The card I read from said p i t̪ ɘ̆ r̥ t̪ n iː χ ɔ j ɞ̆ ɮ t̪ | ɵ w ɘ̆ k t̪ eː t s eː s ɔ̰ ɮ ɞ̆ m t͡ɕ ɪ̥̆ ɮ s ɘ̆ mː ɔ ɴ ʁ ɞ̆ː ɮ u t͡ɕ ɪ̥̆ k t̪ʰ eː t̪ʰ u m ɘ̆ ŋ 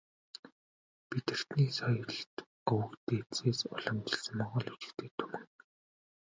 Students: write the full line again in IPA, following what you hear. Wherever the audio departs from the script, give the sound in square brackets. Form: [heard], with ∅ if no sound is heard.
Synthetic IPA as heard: p i t̪ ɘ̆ r̥ t̪ n iː [s] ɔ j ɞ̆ ɮ t̪ | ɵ w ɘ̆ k t̪ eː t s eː s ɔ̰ ɮ ɞ̆ m t͡ɕ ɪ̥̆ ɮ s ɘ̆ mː ɔ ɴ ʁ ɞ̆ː ɮ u t͡ɕ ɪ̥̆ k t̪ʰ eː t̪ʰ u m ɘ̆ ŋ